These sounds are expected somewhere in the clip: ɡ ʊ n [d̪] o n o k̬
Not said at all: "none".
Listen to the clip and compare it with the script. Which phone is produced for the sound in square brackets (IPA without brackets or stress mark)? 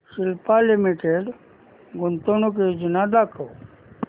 t̪